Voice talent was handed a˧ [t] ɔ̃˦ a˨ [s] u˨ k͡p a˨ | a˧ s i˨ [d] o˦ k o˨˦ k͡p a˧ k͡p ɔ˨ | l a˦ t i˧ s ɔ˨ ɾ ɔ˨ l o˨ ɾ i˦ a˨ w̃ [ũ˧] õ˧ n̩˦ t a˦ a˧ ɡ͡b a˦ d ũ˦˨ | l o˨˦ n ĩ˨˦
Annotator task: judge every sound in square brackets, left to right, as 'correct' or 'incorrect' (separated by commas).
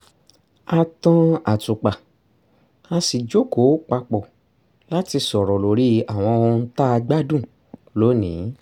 correct, incorrect, incorrect, incorrect